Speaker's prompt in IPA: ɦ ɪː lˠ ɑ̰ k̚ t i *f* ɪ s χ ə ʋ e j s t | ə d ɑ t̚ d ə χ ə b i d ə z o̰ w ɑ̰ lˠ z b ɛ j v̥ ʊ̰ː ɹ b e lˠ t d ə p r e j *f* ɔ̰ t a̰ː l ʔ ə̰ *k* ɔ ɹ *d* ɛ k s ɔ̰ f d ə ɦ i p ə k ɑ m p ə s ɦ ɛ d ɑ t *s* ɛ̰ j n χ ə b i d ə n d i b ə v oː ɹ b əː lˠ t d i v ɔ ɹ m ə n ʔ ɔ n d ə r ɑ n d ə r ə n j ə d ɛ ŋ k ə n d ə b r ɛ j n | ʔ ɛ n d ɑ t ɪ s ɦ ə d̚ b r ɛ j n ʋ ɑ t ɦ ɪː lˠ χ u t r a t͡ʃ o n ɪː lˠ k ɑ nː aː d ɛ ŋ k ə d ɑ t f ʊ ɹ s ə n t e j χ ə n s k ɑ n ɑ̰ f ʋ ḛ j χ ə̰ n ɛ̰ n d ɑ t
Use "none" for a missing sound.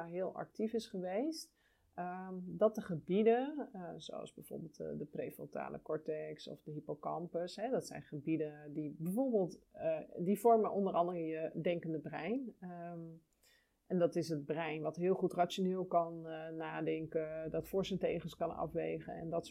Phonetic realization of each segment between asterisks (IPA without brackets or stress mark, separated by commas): f, f, k, t, s